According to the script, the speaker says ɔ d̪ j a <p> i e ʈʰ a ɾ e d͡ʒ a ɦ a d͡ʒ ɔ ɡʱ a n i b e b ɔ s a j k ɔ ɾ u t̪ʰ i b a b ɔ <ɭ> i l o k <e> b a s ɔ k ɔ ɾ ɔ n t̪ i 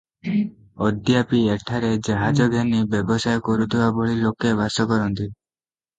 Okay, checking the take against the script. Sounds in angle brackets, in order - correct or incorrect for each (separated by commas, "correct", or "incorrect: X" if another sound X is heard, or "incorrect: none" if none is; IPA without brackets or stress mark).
correct, correct, correct